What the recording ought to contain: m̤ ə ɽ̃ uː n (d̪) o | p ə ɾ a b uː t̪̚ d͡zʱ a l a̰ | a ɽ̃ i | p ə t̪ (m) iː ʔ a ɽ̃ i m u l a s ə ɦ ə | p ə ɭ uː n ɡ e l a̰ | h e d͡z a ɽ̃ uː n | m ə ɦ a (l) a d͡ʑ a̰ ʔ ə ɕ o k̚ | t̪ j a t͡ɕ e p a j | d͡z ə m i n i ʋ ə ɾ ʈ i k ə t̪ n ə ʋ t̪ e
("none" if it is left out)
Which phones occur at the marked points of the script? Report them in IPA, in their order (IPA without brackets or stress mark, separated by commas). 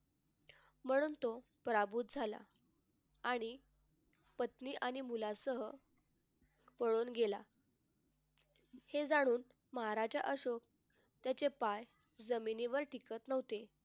t̪, n, ɾ